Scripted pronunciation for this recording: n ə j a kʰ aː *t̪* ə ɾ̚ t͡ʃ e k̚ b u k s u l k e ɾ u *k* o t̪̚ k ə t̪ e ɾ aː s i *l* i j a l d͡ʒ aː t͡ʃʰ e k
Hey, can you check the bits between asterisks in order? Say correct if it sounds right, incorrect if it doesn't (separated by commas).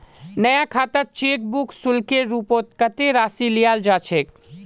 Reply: correct, incorrect, correct